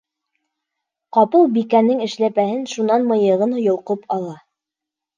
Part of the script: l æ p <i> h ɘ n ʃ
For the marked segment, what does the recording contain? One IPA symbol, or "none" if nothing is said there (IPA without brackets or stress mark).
æ